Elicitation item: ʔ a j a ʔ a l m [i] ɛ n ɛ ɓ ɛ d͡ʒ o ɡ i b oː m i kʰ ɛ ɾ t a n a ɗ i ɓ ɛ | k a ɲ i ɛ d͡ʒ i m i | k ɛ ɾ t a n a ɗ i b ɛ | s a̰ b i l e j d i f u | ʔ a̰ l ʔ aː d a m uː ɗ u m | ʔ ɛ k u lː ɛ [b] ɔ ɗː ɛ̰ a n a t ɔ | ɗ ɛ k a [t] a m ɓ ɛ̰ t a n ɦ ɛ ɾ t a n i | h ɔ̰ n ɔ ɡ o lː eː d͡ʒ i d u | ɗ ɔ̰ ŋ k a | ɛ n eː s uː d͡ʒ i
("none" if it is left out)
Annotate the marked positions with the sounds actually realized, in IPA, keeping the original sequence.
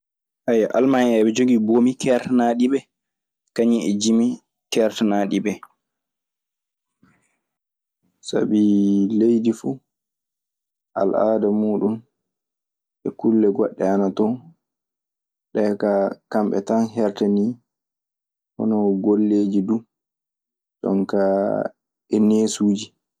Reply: a, ɡ, k

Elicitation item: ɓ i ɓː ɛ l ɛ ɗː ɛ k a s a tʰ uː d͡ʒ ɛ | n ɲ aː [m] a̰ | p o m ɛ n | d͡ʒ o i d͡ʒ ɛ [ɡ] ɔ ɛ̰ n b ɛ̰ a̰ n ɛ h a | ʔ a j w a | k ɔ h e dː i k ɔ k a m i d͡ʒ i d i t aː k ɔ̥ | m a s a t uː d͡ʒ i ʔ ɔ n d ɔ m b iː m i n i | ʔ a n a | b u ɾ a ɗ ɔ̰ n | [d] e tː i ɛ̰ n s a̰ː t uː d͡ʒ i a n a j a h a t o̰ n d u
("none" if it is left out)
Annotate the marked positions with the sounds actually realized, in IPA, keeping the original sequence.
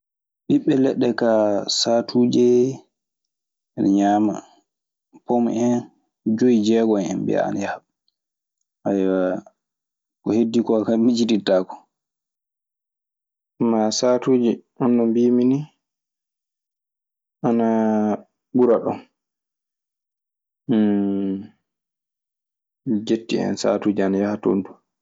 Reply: m, ɡ, d͡ʒ

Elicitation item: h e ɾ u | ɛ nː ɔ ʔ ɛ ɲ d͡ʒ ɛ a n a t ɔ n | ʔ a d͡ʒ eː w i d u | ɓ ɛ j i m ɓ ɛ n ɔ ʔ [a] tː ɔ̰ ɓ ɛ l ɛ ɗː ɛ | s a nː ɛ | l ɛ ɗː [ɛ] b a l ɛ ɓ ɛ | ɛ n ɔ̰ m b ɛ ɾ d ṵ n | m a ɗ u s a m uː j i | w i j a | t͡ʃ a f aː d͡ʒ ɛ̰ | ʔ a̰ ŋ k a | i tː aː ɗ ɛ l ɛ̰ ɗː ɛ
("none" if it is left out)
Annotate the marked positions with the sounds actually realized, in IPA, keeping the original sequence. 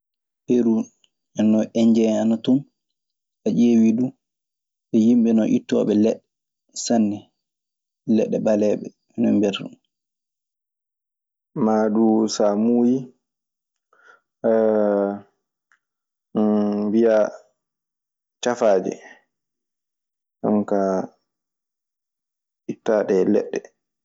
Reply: i, ɛ

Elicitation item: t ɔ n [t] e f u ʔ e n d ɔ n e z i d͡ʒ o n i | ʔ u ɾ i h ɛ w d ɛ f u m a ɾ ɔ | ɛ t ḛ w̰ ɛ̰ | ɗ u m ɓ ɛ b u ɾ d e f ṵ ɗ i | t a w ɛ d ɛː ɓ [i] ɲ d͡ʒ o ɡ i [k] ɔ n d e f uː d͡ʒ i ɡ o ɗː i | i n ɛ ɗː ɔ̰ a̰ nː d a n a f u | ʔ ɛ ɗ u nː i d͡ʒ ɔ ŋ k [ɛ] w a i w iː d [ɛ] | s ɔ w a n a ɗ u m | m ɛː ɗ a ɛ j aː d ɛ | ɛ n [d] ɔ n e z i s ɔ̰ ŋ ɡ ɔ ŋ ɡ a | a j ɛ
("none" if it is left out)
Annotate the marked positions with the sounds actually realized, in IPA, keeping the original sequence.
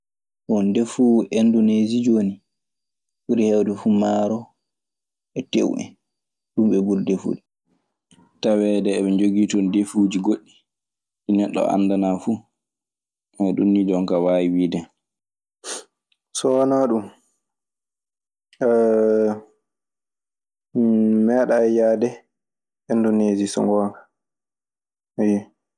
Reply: d, ɛ, t, a, ɛ, d

